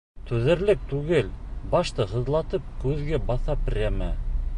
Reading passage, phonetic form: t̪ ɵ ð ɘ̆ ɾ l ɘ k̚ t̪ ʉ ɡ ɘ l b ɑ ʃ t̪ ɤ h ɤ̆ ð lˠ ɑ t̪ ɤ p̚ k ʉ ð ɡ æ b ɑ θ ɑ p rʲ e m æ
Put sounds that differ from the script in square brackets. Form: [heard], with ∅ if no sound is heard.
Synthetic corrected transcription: t̪ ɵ ð ɘ̆ ɾ l ɘ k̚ t̪ ʉ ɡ ɘ l b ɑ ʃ t̪ ɤ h ɤ̆ ð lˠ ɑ t̪ ɤ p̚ k ʉ ð ɡ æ b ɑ θ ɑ p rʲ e m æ